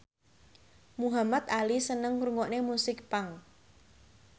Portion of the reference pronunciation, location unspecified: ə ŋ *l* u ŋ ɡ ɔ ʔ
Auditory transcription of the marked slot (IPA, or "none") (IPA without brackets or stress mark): ɾ